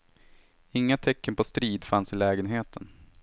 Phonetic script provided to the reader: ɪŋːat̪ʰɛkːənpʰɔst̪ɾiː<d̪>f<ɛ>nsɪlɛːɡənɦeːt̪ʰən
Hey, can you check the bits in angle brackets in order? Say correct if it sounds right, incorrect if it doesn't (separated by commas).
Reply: correct, incorrect